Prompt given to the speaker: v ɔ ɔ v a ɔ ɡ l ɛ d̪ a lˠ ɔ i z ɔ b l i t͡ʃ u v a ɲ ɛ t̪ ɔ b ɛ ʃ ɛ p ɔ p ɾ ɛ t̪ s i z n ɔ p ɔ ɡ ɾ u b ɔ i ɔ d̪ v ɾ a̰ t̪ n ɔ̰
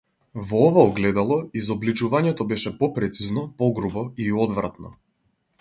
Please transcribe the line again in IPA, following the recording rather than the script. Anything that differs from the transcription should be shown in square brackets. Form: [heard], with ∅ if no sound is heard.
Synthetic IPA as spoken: v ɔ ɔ v a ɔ ɡ l ɛ d̪ a lˠ ɔ i z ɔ b l i t͡ʃ u v a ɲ ɛ t̪ ɔ b ɛ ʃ ɛ p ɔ p ɾ ɛ t̪ s i z n ɔ p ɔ ɡ ɾ u b ɔ i ɔ d̪ v ɾ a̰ t̪ n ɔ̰